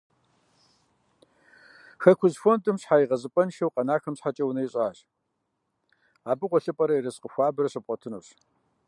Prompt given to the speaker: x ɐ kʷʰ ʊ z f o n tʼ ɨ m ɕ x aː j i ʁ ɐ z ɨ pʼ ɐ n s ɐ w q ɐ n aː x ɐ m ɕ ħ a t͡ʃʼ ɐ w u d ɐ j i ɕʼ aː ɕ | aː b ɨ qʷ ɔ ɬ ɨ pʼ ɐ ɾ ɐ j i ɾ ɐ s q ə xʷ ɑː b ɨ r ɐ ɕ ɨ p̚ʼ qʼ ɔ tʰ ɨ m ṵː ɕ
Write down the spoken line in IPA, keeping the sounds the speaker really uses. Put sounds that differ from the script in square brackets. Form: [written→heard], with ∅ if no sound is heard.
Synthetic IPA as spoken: x ɐ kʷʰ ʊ z f o n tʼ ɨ m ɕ [x→ħ] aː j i ʁ ɐ z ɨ pʼ ɐ n [s→ʃ] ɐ w q ɐ n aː x ɐ m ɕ ħ a t͡ʃʼ ɐ w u [d→n] ɐ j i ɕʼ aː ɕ | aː b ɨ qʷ ɔ ɬ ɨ pʼ ɐ ɾ ɐ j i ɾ ɐ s q ə xʷ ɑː b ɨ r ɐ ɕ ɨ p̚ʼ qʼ ɔ tʰ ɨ [m→n] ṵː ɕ